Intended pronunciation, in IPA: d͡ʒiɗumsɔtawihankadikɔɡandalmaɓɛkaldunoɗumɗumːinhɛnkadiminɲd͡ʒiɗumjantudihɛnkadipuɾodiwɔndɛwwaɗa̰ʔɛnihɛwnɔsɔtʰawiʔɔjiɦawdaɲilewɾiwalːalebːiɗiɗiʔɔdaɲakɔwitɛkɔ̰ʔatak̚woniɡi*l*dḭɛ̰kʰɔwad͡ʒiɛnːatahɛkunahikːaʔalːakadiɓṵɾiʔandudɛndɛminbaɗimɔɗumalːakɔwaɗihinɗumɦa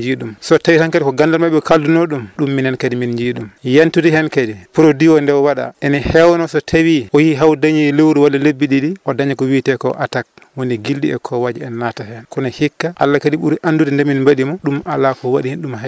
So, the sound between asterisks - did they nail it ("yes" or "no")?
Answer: yes